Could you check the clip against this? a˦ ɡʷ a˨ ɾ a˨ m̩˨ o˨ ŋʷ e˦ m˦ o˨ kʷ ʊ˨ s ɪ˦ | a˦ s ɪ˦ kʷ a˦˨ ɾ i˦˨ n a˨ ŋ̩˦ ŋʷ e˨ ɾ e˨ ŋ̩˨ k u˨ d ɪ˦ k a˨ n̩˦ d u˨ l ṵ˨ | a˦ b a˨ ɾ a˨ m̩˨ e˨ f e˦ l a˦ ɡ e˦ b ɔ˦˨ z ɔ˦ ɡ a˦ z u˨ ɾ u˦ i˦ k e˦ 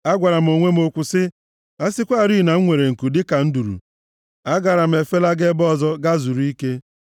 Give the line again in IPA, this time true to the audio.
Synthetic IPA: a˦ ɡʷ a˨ ɾ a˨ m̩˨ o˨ ŋʷ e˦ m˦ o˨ kʷ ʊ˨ s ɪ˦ | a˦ s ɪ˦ kʷ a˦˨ ɾ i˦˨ n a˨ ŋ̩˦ ŋʷ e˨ ɾ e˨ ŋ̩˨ k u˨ d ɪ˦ k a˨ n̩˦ d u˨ ɾ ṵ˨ | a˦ ɡ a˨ ɾ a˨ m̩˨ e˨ f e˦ l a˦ ɡ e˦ b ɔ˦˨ z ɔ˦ ɡ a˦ z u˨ ɾ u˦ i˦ k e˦